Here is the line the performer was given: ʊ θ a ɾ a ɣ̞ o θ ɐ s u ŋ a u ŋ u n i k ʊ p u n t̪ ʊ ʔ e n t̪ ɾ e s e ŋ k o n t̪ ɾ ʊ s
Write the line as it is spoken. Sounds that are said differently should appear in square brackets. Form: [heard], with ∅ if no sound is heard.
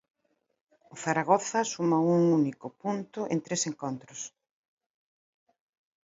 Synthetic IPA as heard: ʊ θ a ɾ a ɣ̞ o θ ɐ s u [m] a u ŋ u n i k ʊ p u n t̪ ʊ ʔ e n t̪ ɾ e s e ŋ k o n t̪ ɾ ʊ s